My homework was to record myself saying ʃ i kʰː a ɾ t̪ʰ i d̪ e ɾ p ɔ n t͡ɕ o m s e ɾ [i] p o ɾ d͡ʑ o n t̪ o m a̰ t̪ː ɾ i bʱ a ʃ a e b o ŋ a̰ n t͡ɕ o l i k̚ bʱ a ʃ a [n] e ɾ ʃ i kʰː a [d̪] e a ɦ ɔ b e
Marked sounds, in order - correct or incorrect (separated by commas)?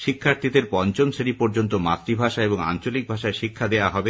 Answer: correct, incorrect, correct